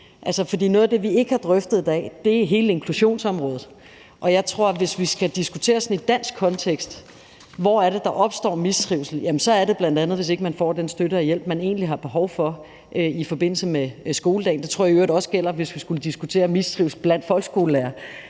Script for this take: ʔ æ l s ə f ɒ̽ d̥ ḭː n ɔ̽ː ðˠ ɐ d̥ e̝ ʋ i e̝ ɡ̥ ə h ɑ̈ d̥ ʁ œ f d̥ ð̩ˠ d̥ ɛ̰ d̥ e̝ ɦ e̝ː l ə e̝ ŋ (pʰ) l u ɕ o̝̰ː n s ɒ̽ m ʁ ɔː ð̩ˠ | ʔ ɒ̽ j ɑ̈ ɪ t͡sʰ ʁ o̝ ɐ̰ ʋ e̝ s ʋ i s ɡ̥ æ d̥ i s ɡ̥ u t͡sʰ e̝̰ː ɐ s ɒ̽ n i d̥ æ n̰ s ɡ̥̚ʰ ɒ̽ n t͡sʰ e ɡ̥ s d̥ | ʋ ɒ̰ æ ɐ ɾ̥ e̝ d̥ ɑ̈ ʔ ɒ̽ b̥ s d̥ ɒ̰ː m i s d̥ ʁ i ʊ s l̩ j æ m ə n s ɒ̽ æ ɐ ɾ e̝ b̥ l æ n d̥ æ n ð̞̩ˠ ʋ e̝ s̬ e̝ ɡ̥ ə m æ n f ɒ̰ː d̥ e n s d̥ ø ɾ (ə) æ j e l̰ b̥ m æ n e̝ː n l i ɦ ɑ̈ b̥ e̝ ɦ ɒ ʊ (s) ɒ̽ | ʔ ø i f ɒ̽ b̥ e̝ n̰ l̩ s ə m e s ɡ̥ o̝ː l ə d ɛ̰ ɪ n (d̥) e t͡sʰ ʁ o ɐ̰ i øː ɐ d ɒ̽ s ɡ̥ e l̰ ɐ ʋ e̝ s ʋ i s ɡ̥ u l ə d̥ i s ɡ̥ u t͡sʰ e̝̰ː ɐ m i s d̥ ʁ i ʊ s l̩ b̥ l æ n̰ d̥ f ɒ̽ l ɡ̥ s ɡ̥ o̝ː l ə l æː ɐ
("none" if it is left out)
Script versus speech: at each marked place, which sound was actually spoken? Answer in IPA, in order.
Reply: kʰ, ə, f, d̥

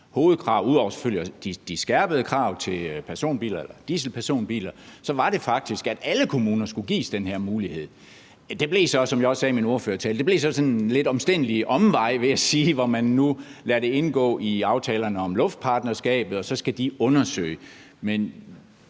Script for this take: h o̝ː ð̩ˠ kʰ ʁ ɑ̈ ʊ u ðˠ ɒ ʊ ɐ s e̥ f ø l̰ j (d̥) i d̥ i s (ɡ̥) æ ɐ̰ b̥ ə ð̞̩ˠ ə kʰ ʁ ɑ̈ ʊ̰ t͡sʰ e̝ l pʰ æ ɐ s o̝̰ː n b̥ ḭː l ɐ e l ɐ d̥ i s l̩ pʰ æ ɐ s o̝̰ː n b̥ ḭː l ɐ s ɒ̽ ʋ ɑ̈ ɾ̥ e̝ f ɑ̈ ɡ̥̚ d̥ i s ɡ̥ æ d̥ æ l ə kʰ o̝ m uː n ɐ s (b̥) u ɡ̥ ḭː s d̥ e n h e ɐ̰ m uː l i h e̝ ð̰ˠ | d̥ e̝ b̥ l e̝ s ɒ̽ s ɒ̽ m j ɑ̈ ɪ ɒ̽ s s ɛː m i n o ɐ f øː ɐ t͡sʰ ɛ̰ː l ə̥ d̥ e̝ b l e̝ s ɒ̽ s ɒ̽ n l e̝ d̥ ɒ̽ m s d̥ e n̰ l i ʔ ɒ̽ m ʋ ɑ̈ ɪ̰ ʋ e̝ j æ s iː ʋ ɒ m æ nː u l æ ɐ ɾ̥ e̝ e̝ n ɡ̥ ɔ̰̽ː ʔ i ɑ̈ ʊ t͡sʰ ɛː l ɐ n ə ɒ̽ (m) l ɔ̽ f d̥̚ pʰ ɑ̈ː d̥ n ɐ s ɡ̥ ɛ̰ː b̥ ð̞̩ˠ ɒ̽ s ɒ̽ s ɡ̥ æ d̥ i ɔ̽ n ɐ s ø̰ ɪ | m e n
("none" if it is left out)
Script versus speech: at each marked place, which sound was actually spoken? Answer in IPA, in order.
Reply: d̥, ɡ̥, ɡ̥, m

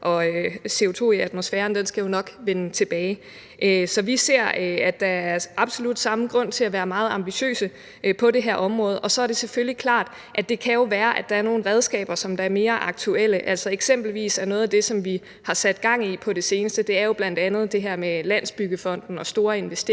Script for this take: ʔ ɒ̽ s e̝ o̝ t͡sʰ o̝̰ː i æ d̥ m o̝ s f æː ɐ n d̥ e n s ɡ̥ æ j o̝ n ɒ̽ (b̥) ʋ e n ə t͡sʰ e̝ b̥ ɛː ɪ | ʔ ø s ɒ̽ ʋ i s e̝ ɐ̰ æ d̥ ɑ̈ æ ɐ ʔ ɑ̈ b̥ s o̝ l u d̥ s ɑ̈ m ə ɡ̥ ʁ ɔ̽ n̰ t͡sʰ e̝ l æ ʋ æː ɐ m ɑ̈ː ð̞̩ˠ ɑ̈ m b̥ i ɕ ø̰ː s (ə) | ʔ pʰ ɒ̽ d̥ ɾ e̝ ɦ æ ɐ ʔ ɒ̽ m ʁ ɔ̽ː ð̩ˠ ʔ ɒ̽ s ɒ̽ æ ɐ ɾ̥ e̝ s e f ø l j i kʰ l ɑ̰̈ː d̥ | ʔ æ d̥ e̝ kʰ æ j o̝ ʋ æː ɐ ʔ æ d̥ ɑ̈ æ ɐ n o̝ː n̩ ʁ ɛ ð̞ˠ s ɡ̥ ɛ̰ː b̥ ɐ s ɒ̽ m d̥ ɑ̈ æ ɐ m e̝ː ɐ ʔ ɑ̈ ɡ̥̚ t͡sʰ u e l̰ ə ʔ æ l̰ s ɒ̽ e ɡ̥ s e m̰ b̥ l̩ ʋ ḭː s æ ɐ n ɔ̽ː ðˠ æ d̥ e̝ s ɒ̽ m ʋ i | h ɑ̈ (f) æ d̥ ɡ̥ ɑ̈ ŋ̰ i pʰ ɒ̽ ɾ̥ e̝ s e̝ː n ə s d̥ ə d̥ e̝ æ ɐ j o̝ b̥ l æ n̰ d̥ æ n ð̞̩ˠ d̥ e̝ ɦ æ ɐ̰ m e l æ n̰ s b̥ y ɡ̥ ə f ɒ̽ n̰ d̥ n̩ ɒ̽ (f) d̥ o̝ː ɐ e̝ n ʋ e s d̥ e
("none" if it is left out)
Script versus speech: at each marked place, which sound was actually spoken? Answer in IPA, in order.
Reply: ɡ̥, ə, s, s

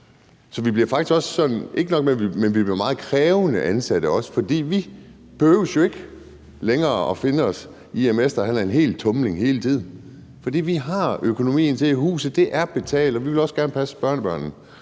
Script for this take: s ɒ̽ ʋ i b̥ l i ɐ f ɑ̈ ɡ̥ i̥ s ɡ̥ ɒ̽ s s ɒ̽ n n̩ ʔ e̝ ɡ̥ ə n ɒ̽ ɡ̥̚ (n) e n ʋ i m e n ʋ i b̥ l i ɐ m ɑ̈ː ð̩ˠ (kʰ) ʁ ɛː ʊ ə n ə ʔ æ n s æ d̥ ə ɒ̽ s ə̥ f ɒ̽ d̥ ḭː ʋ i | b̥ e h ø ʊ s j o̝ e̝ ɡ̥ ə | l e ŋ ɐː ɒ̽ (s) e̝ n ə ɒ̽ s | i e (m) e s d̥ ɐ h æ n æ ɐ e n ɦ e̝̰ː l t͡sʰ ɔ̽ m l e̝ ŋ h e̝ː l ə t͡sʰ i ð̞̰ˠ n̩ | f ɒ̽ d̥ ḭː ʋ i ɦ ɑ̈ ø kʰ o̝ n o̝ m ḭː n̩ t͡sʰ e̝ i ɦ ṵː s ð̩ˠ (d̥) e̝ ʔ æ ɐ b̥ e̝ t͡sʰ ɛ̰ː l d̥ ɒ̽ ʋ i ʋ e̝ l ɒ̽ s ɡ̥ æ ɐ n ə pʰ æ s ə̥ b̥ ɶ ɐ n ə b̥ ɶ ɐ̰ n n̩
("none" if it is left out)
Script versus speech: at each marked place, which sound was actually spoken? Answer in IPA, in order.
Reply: m, kʰ, f, m, d̥

